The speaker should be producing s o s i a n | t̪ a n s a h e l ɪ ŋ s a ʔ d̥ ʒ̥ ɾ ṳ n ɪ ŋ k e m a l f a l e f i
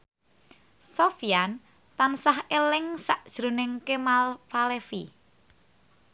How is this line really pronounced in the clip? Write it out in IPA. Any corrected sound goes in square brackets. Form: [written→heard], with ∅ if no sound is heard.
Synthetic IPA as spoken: s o [s→f] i a n | t̪ a n s a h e l ɪ ŋ s a ʔ d̥ ʒ̥ ɾ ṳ n ɪ ŋ k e m a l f a l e f i